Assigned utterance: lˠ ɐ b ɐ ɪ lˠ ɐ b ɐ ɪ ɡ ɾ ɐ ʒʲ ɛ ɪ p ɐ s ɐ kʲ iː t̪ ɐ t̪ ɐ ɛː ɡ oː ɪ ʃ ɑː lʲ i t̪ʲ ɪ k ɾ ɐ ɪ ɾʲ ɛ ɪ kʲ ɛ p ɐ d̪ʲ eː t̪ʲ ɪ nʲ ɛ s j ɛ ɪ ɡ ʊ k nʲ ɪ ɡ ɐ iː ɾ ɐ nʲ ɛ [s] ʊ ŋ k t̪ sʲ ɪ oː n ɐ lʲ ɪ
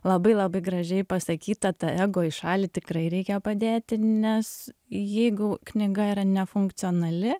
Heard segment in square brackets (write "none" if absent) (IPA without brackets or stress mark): f